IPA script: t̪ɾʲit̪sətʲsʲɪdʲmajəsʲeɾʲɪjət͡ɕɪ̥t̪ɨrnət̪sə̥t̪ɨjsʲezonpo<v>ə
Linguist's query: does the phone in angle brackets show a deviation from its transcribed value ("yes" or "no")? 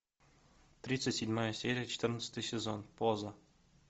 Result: yes